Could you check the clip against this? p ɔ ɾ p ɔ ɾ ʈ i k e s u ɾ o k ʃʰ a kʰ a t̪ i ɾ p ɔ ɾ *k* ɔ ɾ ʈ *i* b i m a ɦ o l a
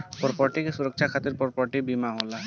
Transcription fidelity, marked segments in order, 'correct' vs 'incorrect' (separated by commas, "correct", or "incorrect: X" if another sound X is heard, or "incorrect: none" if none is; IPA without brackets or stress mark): incorrect: p, correct